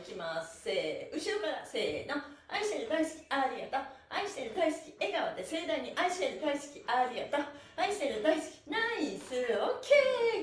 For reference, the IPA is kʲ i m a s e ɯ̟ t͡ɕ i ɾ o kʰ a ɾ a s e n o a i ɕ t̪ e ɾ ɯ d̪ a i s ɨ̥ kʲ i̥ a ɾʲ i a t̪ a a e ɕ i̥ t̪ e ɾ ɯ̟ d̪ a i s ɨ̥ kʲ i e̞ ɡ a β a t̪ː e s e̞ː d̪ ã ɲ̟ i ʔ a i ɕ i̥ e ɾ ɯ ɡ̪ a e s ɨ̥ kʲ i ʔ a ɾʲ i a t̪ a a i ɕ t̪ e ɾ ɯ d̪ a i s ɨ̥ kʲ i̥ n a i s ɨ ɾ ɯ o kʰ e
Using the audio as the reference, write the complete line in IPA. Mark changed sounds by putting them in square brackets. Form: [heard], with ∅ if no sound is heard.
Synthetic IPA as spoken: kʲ i m a s e ɯ̟ t͡ɕ i ɾ o [k] a ɾ a s e n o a i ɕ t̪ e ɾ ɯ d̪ a i s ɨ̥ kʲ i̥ a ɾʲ i a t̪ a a [i] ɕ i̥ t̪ e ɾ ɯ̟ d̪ a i s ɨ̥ kʲ i e̞ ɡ a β a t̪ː e s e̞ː d̪ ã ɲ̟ i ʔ a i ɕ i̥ e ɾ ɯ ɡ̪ a [i] s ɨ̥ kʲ i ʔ a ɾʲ i a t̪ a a i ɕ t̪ e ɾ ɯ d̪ a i s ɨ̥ kʲ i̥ n a i s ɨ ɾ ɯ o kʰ e